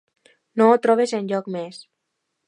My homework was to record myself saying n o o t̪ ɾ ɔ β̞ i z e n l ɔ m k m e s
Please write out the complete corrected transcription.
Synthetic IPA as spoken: n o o t̪ ɾ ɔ β̞ e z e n ʎ ɔ k m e s